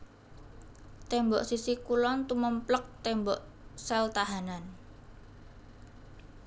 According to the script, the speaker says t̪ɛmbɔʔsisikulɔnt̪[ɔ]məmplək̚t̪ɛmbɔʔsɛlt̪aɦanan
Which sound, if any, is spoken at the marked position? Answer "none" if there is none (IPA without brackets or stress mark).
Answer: u